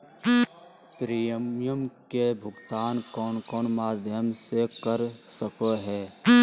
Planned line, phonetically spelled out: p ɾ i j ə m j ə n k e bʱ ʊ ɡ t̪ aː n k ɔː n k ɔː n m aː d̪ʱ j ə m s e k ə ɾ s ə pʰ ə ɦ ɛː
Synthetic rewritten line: p ɾ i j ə m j ə m k e bʱ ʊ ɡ t̪ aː n k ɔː n k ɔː n m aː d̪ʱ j ə m s e k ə ɾ s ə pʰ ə ɦ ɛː

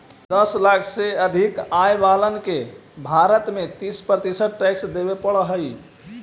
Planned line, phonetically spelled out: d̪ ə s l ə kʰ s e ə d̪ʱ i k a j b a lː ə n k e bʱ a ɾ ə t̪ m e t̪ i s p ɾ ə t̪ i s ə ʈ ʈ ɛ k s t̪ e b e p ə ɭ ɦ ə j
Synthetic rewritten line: d̪ ə s l a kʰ s e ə d̪ʱ i k a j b a l ə n k e bʱ a ɾ ə t̪ m e t̪ i s p ɾ ə t̪ i s ə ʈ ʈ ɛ k s d̪ e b e p ə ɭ ɦ ə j

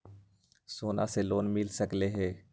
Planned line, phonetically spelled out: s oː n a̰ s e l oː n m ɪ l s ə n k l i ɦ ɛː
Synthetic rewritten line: s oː n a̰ s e l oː n m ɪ l s ə k l e ɦ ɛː

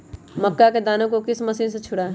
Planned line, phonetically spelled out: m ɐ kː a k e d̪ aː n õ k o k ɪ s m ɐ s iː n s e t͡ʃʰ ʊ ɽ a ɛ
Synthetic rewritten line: m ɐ kː a k e d̪ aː n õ k o k ɪ s m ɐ s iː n s e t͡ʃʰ ʊ ɽ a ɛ

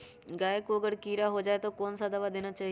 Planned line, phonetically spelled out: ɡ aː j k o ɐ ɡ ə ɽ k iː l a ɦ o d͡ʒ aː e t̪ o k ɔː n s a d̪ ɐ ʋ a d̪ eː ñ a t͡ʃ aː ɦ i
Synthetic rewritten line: ɡ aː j k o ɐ ɡ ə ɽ k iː ɾ a ɦ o d͡ʒ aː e t̪ o k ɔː n s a d̪ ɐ ʋ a d̪ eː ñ a t͡ʃ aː ɦ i

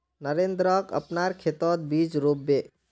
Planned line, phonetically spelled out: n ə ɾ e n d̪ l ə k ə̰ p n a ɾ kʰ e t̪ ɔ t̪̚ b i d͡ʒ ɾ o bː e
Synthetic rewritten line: n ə ɾ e n d̪ ɾ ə k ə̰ p n a ɾ kʰ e t̪ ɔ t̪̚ b i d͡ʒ ɾ o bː e

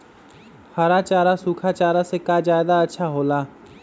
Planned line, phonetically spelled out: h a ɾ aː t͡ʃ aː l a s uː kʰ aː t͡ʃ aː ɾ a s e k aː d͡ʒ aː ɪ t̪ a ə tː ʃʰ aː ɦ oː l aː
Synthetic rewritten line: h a ɾ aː t͡ʃ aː ɾ a s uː kʰ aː t͡ʃ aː ɾ a s e k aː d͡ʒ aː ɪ d̪ a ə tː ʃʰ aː ɦ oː l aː

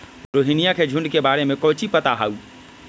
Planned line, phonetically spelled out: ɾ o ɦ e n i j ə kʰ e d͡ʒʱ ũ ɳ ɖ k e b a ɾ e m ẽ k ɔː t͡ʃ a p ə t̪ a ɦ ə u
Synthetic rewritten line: ɾ o ɦ i n i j a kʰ e d͡ʒʱ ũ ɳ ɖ k e b a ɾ e m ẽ k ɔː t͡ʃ i p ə t̪ a ɦ a u

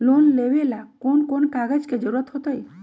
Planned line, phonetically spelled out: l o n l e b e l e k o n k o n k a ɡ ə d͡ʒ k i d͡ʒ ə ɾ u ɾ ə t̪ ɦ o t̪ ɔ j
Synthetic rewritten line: l o n l e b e l a k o n k o n k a ɡ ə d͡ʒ k e d͡ʒ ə ɾ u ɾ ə t̪ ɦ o t̪ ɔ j

